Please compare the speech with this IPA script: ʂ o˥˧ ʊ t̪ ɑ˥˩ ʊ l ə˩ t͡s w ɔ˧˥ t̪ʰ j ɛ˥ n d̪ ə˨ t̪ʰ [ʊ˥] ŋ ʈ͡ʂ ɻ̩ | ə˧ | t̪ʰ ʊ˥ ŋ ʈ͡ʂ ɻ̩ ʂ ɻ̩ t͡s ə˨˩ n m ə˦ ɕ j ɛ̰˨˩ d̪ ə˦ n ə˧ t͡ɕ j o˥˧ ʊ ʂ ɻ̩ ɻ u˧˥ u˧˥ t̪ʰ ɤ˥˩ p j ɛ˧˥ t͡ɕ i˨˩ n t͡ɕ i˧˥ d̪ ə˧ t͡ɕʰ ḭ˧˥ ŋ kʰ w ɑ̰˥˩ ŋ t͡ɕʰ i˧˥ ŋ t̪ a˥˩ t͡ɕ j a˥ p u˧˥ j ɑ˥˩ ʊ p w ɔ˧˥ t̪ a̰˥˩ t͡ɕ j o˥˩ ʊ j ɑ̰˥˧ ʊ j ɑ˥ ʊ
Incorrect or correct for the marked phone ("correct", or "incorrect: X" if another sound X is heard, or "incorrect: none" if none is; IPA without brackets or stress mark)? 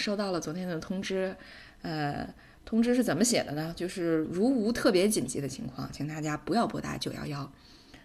correct